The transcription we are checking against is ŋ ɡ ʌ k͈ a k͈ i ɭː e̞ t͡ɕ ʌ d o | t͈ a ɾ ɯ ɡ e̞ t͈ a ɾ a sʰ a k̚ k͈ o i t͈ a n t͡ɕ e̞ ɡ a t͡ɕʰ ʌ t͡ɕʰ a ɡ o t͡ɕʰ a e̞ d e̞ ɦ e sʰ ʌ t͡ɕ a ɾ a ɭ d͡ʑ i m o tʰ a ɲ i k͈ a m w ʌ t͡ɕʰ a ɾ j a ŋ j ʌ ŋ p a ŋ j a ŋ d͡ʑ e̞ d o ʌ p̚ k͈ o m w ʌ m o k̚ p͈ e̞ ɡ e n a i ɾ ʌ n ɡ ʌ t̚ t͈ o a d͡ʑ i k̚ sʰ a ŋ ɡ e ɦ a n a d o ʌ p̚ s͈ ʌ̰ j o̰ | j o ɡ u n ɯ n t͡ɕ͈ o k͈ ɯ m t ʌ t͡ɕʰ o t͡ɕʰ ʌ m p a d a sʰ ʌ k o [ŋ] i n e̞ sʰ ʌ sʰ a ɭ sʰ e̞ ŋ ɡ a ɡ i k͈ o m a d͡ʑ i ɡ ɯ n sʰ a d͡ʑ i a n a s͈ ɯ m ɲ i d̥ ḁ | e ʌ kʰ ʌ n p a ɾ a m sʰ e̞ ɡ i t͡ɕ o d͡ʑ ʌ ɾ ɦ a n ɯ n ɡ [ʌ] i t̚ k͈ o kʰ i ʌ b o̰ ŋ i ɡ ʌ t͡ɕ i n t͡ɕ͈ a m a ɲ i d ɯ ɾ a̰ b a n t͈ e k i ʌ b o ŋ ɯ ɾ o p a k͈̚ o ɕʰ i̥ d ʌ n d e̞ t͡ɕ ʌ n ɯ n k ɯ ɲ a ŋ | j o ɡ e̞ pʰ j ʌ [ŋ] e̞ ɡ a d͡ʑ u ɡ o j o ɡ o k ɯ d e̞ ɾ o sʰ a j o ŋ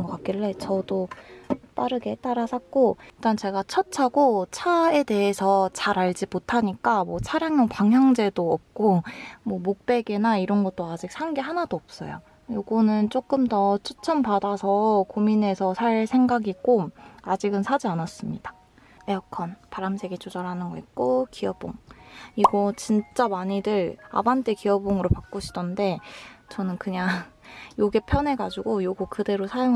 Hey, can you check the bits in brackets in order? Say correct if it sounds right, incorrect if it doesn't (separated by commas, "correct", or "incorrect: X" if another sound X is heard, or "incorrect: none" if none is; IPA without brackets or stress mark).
incorrect: m, correct, incorrect: n